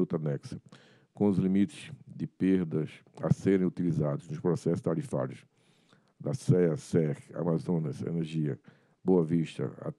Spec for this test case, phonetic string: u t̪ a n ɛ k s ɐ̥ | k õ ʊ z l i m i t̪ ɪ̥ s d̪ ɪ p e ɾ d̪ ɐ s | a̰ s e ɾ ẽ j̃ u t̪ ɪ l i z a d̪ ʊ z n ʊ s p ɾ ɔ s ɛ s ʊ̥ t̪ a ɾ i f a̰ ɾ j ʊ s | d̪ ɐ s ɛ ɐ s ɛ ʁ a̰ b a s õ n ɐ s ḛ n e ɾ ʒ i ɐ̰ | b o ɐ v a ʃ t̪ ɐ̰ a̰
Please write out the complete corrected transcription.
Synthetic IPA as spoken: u t̪ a n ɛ k s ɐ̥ | k õ ʊ z l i m i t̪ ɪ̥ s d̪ ɪ p e ɾ d̪ ɐ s | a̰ s e ɾ ẽ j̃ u t̪ i l i z a d̪ ʊ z n ʊ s p ɾ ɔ s ɛ s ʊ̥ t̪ a ɾ i f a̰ ɾ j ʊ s | d̪ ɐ s ɛ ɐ s ɛ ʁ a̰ m a z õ n ɐ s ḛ n e ɾ ʒ i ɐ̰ | b o ɐ v i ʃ t̪ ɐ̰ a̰